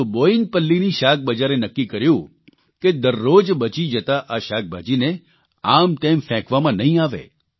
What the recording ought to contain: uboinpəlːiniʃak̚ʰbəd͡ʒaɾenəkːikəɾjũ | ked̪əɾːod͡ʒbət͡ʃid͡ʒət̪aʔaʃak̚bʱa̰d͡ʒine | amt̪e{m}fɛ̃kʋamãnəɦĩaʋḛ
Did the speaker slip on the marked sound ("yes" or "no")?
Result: no